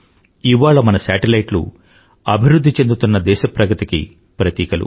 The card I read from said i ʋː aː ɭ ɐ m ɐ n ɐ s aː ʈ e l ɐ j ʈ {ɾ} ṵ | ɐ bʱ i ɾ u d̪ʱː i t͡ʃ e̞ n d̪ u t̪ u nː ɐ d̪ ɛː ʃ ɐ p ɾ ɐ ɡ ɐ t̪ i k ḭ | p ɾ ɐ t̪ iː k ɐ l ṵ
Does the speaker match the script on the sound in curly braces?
no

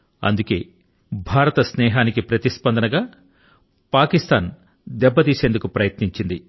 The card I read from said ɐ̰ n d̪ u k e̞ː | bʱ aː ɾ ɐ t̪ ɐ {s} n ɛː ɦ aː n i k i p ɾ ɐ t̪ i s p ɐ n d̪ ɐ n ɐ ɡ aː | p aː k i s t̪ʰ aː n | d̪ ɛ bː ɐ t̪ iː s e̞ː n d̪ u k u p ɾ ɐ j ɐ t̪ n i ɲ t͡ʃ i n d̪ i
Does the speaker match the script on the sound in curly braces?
yes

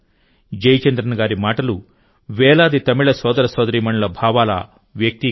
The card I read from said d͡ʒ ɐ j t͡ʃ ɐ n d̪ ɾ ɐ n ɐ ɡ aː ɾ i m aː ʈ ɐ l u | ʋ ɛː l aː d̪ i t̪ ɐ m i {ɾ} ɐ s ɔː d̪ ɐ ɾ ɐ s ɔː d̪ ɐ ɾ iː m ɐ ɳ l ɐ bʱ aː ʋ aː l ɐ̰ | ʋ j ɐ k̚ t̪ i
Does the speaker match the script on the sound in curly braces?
no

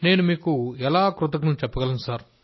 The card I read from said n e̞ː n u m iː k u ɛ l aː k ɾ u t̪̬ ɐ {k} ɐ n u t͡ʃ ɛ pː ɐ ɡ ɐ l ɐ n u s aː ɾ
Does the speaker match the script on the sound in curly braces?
yes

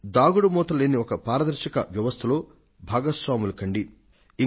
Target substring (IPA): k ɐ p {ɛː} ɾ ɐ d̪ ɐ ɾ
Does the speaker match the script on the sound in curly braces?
no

